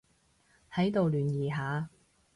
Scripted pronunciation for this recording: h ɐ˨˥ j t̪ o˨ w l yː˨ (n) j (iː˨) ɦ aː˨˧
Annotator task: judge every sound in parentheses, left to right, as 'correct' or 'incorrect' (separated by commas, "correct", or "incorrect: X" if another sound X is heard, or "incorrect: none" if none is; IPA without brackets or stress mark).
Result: correct, correct